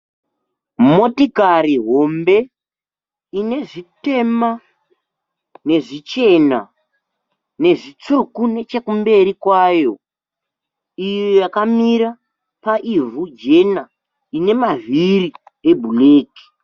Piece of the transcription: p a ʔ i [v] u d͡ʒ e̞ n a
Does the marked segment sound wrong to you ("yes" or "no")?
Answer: no